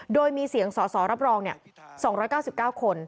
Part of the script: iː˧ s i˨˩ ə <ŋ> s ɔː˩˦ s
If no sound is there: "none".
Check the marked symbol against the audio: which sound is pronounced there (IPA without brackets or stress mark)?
ŋ